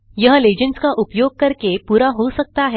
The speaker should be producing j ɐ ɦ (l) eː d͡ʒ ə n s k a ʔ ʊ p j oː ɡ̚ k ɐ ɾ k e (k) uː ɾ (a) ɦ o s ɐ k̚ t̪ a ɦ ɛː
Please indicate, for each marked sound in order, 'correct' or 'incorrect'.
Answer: correct, incorrect, correct

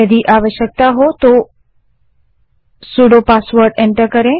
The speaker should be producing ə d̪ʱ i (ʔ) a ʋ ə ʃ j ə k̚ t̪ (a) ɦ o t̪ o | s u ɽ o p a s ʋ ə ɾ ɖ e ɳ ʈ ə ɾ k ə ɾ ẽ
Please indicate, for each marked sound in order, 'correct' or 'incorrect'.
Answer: correct, correct

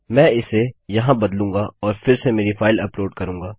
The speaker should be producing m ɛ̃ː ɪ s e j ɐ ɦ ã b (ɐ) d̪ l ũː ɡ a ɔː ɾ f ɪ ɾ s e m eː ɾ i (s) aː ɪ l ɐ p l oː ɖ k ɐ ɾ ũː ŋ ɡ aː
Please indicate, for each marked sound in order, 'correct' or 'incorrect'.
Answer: correct, incorrect

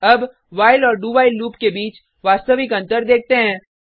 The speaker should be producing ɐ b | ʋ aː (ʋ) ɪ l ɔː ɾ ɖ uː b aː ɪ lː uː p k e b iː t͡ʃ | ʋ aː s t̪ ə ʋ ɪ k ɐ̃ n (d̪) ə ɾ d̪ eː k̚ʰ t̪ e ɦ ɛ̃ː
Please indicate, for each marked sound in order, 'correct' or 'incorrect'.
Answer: incorrect, incorrect

